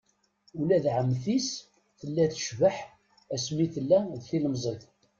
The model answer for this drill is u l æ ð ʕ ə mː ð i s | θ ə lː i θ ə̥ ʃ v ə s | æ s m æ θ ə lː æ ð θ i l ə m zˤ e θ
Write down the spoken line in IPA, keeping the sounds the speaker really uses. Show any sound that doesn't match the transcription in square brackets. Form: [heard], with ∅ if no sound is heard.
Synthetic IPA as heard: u l æ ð ʕ ə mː [θ] i s | θ ə lː [æ] θ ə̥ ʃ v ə [ħ] | æ s m [i] θ ə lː æ ð θ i l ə m zˤ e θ